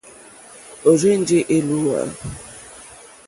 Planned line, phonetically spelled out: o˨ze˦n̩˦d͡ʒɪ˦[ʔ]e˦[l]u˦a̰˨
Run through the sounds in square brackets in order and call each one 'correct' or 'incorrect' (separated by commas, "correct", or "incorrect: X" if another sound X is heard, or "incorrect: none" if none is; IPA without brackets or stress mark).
correct, correct